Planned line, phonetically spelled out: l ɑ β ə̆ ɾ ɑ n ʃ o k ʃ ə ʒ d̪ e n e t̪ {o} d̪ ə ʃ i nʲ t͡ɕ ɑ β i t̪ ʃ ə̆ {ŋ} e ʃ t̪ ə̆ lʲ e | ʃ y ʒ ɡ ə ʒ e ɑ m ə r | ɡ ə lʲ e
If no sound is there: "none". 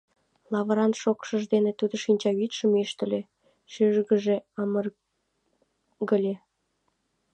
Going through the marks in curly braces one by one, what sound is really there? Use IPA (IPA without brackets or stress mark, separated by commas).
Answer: u, m